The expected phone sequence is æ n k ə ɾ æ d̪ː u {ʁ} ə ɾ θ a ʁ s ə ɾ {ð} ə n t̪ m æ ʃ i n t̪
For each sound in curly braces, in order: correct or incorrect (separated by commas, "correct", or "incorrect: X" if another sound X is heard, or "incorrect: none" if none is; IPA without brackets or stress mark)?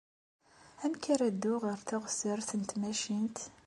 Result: correct, incorrect: θ